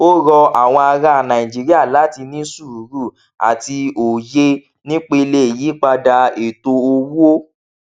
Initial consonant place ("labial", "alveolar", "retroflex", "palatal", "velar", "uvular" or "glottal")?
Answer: alveolar